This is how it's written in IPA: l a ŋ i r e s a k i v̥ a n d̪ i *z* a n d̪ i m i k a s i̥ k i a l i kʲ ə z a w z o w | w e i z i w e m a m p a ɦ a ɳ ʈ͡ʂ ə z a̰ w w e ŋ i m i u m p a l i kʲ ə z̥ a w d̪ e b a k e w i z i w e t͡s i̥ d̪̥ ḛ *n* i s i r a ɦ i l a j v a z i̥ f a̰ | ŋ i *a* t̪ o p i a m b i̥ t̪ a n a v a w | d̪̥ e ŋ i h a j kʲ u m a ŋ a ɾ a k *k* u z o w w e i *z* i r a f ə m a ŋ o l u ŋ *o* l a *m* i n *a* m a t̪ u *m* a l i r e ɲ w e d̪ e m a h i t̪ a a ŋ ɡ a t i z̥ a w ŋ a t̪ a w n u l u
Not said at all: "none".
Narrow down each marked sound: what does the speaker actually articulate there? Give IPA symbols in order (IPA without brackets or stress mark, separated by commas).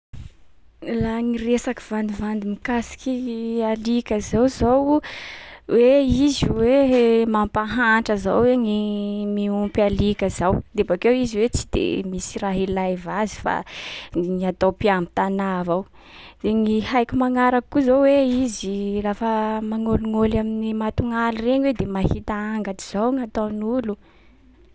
v, m, a, k, z, o, m, i, ŋ